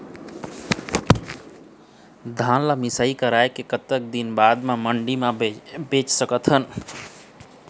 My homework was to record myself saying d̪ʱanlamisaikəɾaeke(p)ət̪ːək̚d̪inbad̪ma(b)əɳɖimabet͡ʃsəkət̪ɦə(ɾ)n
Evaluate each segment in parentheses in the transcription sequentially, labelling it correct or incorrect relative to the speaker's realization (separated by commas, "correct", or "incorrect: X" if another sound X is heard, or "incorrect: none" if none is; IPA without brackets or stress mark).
incorrect: k, incorrect: m, incorrect: none